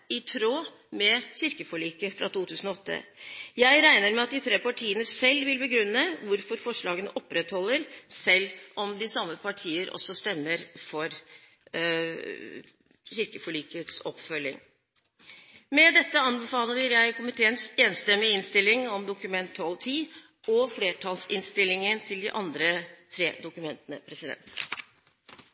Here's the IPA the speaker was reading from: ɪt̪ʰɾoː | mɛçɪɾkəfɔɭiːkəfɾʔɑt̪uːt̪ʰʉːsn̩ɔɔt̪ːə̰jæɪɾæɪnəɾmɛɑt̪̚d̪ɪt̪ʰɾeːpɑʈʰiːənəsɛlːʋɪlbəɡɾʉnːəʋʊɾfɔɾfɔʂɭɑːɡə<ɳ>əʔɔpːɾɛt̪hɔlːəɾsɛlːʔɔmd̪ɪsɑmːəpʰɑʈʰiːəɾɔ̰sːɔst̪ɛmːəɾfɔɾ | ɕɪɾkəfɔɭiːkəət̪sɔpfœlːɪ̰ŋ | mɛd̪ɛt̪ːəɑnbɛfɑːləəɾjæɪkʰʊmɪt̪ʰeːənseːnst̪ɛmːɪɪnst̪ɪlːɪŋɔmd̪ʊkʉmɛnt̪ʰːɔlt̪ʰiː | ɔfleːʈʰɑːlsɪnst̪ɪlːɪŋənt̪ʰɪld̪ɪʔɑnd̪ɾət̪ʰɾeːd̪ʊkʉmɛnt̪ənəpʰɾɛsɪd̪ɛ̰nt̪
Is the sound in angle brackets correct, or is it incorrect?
incorrect